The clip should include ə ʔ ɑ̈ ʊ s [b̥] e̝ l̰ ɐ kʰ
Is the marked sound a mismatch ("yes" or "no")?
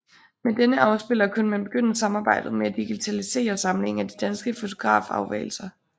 no